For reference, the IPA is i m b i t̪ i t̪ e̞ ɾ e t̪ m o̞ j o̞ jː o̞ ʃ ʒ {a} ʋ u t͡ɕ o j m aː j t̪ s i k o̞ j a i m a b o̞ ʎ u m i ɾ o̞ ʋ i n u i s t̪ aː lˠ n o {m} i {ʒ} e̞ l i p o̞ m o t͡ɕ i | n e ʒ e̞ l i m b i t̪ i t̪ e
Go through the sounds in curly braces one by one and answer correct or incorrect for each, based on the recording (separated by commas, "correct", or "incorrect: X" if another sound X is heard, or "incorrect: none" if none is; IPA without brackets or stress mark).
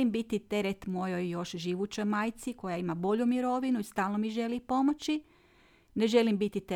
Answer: incorrect: i, correct, correct